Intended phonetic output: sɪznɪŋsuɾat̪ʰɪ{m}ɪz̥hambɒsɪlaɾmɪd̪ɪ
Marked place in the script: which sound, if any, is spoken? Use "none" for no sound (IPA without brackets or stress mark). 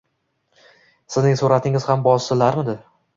ŋ